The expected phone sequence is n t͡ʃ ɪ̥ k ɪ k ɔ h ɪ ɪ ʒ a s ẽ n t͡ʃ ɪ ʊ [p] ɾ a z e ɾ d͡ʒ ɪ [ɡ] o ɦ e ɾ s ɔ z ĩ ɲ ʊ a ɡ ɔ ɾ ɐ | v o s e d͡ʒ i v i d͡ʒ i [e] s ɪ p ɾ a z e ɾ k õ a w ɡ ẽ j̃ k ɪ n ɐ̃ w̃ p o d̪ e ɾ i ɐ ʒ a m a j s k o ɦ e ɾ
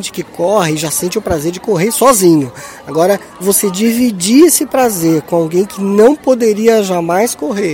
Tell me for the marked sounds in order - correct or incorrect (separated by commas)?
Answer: correct, incorrect, correct